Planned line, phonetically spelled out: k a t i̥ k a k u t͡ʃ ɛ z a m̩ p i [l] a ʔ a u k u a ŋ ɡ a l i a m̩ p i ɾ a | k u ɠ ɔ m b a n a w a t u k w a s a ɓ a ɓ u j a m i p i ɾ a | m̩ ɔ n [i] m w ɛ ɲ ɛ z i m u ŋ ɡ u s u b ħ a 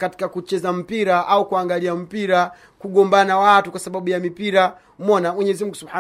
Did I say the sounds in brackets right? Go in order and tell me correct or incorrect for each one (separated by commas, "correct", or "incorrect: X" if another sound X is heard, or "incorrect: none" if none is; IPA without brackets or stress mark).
incorrect: ɾ, incorrect: a